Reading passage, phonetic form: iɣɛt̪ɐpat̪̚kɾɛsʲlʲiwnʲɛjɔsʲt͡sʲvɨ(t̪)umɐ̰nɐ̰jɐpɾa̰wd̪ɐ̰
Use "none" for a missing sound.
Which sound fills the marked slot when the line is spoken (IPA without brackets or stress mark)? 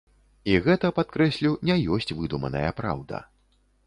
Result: d̪